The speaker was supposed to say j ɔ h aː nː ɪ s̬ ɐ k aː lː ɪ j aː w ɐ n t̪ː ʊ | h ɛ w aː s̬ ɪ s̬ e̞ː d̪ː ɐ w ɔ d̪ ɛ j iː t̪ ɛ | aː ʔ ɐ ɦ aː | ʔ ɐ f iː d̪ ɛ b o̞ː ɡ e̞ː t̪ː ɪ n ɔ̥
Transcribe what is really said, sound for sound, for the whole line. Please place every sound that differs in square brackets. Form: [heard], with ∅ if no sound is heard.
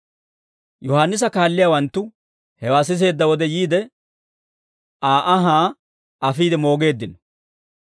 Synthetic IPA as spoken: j ɔ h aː nː ɪ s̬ ɐ k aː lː ɪ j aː w ɐ n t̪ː ʊ | h ɛ w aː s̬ ɪ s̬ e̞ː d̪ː ɐ w ɔ d̪ ɛ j iː [d̪] ɛ | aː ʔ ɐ ɦ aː | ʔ ɐ f iː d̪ ɛ [m] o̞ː ɡ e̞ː [d̪ː] ɪ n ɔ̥